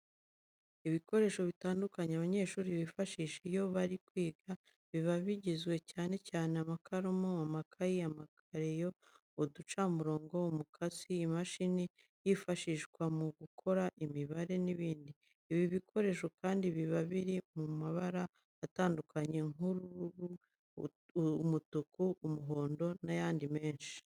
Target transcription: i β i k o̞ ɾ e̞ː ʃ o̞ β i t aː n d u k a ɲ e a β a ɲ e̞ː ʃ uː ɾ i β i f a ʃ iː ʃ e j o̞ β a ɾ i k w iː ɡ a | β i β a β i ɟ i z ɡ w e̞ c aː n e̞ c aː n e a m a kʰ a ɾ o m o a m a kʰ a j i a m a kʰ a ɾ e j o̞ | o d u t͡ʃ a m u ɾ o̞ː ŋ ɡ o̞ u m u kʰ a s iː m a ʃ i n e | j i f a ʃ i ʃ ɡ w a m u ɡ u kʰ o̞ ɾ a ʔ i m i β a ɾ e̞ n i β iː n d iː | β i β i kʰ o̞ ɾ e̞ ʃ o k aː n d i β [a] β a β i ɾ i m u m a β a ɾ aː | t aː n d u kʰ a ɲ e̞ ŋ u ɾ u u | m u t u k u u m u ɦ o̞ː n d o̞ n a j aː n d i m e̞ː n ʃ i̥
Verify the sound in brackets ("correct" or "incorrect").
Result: incorrect